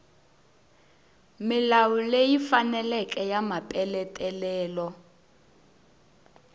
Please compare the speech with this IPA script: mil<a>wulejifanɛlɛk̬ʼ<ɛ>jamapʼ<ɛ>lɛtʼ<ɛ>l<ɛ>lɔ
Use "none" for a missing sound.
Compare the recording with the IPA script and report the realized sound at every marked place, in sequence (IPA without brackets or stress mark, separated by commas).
a, ɛ, ɛ, ɛ, ɛː